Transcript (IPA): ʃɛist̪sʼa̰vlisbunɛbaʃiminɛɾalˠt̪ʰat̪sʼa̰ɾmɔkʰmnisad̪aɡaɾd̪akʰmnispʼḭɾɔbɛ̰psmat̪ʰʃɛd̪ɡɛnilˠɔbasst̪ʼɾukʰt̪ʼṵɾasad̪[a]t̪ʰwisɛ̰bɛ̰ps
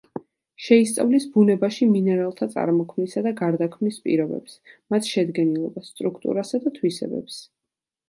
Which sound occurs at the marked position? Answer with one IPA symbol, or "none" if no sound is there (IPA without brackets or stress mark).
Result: a